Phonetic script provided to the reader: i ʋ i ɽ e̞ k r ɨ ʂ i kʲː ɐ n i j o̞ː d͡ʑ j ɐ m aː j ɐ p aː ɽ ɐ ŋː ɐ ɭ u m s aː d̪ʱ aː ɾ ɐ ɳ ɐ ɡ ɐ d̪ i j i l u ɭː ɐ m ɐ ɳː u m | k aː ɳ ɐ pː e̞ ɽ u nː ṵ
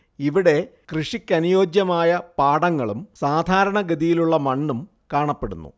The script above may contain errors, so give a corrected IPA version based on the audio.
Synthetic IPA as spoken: i ʋ i ɽ e̞ k r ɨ ʂ i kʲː ɐ n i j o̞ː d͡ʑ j ɐ m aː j ɐ p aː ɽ ɐ ŋː ɐ ɭ u m s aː d̪ʱ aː ɾ ɐ ɳ ɐ ɡ ɐ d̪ i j i l u ɭː ɐ m ɐ ɳː u m | k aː ɳ ɐ pː e̞ ɽ u nː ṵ